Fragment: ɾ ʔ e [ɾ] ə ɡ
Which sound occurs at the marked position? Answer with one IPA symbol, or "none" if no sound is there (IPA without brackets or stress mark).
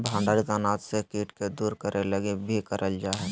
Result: l